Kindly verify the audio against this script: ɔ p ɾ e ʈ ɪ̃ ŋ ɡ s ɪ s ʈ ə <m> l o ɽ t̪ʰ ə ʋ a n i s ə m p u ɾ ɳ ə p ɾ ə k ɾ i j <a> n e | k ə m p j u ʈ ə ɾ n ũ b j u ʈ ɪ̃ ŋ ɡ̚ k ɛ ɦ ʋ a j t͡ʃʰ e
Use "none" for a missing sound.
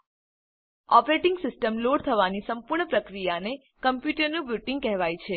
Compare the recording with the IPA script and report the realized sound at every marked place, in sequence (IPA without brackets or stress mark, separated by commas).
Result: m, a